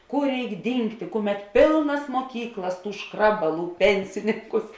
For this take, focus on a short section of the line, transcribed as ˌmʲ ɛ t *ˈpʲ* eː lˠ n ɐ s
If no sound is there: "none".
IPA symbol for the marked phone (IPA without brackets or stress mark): pʲ